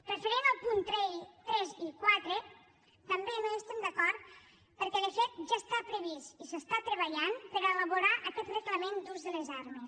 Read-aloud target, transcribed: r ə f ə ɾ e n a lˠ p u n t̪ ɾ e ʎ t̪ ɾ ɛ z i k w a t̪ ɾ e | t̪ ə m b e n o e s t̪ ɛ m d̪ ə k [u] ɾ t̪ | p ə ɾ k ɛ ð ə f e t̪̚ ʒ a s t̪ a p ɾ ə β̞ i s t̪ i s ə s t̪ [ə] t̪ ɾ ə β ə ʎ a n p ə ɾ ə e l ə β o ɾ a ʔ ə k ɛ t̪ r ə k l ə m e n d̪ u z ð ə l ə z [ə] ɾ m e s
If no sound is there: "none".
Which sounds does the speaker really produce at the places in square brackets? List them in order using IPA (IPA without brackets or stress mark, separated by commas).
ɔ, a, a